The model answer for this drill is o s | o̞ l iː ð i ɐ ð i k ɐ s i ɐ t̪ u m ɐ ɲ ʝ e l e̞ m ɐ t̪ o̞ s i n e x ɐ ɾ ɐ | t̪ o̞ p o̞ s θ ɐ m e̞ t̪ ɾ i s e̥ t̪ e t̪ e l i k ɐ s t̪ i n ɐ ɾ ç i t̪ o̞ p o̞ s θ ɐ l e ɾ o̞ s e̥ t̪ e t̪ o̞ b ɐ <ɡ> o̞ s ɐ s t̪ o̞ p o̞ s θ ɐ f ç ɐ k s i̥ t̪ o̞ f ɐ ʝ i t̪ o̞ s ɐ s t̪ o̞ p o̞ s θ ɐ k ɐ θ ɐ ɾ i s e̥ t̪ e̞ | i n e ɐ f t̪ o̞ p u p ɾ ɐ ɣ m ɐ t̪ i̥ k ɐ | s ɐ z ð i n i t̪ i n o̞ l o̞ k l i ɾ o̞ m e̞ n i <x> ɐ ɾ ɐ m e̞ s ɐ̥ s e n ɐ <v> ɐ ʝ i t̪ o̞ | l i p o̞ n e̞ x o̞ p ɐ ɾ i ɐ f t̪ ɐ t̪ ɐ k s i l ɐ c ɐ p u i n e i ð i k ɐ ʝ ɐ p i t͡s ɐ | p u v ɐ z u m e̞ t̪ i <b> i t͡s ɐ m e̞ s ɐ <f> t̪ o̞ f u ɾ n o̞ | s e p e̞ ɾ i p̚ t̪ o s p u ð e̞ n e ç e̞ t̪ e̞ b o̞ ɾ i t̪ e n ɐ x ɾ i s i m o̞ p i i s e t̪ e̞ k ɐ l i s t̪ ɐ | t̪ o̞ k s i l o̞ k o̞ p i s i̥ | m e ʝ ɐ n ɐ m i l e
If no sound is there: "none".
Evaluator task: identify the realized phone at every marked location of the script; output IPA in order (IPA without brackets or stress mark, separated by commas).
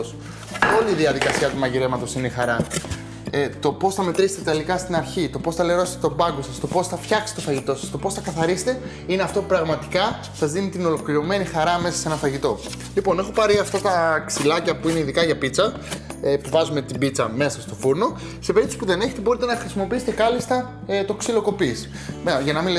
ɡ, x, f, b, s